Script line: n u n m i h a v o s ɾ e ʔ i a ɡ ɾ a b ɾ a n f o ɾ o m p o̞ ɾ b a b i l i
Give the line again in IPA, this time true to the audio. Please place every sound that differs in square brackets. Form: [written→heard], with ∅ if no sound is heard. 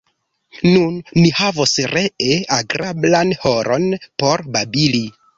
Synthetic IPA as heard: n u n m i h a v o s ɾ e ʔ [i→e] a ɡ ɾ a b [ɾ→l] a n [f→h] o ɾ o [m→n] p o̞ ɾ b a b i l i